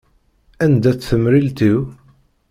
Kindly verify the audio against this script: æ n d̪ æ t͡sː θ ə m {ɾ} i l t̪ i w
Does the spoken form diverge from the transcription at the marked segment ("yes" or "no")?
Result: no